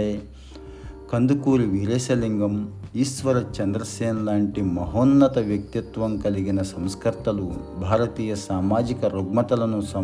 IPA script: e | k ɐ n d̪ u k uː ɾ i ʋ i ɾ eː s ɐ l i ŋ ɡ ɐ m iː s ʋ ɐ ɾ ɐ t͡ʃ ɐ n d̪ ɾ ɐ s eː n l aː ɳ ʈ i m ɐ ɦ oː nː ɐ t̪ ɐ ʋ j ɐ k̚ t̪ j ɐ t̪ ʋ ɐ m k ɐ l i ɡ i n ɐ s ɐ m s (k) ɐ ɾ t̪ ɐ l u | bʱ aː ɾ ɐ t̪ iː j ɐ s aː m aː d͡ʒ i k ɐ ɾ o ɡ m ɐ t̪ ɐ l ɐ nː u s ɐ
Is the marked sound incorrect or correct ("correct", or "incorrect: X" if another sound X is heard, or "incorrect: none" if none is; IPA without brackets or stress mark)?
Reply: correct